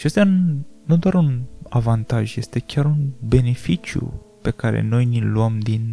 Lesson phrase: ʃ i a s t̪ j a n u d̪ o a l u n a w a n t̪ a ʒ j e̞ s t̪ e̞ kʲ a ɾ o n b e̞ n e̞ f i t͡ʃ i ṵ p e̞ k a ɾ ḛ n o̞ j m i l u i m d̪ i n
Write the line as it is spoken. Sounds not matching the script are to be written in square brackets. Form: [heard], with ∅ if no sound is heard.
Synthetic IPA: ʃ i a s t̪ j a n u d̪ o a [ɾ] u n a [v] a n t̪ a ʒ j e̞ s t̪ e̞ kʲ a ɾ [u] n b e̞ n e̞ f i t͡ʃ [j] ṵ p e̞ k a ɾ ḛ n o̞ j [n] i l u [a] m d̪ i n